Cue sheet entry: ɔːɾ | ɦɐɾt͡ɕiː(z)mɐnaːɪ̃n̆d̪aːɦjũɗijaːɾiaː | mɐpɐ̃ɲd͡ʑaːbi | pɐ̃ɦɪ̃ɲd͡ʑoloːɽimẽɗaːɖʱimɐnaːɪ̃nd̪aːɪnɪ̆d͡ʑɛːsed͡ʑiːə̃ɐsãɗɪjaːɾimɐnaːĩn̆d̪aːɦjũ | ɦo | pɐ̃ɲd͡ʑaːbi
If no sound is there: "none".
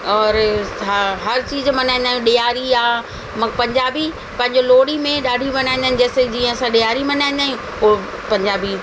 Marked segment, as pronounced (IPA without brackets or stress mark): z